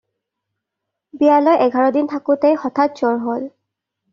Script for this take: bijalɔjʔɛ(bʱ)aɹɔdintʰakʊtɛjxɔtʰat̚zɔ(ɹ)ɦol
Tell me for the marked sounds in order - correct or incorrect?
incorrect: ɡʱ, correct

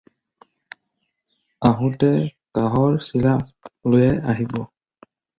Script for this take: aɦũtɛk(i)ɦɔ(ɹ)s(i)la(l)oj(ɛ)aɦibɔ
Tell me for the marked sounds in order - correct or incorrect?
incorrect: a, correct, correct, correct, correct

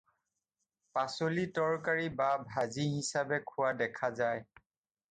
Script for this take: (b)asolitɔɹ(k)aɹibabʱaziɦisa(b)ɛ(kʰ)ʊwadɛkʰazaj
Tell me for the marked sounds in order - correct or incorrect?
incorrect: p, correct, correct, correct

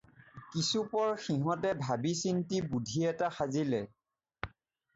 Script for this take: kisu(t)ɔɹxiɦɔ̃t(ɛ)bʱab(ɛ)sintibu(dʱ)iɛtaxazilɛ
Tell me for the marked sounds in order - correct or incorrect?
incorrect: p, correct, incorrect: i, correct

